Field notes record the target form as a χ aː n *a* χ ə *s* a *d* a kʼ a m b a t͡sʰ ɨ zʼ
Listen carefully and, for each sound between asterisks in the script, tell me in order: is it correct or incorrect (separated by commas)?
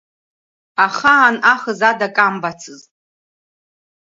correct, incorrect, correct